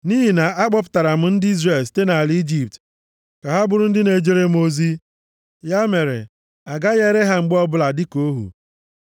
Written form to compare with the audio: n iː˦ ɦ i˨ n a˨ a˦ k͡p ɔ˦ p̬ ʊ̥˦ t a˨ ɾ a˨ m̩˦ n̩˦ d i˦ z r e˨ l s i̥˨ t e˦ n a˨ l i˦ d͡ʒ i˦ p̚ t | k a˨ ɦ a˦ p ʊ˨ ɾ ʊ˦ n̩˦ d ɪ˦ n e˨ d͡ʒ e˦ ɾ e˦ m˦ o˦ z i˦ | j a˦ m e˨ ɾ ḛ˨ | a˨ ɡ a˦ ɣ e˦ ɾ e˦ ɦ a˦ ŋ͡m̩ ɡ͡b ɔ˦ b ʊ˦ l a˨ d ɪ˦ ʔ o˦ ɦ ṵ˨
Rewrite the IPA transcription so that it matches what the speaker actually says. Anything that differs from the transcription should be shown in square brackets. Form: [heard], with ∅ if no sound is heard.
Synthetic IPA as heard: n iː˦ ɦ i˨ n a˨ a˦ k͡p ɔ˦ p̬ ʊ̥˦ t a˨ ɾ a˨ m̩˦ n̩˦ d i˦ z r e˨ l s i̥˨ t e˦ n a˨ l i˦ d͡ʒ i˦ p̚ t | k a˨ ɦ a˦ [b] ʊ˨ ɾ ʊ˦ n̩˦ d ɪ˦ n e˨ d͡ʒ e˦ ɾ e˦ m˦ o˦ z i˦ | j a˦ m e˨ ɾ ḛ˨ | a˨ ɡ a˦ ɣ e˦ ɾ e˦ ɦ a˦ ŋ͡m̩ ɡ͡b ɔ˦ b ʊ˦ l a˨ d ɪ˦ [k] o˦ ɦ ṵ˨